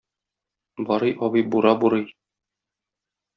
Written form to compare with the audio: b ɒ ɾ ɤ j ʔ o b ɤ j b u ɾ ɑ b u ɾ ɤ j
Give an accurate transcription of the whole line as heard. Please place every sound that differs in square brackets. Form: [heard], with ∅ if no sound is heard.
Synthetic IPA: b ɒ ɾ ɤ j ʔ [ɒ] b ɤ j b u ɾ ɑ b u ɾ ɤ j